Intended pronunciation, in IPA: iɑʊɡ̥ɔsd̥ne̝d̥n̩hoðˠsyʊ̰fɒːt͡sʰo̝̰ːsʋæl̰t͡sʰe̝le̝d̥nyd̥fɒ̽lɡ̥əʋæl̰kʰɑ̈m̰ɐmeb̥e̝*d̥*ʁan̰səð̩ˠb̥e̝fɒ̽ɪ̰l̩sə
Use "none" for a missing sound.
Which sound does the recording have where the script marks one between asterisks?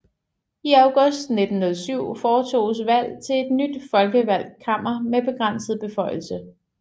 ɡ̥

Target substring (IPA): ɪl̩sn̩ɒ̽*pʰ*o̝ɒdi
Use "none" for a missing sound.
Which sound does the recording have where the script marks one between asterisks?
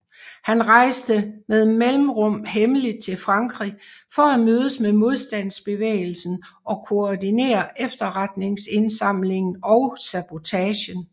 kʰ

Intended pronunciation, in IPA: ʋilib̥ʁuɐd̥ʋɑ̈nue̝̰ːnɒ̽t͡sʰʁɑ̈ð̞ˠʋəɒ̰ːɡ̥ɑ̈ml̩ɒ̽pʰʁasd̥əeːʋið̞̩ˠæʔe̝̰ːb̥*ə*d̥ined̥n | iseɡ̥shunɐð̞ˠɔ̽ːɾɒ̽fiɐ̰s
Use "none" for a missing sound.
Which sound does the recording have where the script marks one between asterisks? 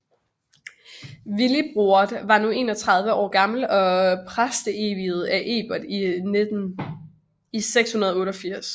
ɐ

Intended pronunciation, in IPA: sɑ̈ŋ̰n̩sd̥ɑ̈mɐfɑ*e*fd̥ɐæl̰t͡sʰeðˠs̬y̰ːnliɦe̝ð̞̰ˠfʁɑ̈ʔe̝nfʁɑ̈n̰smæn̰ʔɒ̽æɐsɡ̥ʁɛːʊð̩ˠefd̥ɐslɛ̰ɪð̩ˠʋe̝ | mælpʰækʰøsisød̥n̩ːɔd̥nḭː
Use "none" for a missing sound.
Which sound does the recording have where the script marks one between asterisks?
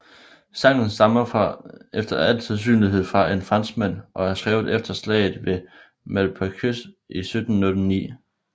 e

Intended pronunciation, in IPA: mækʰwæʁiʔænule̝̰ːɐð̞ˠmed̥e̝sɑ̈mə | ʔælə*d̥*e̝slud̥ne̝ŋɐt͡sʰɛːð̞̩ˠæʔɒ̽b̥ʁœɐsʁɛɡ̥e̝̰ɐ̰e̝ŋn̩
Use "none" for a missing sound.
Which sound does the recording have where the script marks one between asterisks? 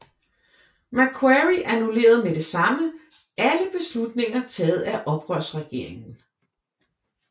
b̥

